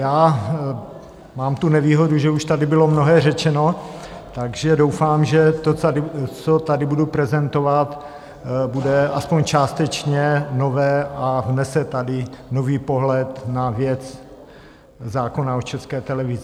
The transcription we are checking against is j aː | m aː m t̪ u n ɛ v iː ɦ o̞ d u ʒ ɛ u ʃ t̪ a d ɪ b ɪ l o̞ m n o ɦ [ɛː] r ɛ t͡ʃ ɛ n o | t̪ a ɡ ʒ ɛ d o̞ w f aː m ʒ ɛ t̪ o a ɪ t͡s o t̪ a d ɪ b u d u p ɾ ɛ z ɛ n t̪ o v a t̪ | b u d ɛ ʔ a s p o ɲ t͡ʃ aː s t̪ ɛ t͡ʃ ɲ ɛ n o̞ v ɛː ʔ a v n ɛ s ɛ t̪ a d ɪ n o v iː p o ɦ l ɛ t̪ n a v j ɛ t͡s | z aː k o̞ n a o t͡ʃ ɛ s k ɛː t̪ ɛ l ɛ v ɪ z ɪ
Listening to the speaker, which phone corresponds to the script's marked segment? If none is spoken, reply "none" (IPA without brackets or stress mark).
ɛː